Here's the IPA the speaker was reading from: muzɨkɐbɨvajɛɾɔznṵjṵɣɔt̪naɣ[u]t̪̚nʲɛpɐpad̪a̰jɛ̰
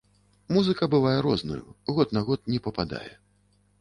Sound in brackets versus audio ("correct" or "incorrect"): incorrect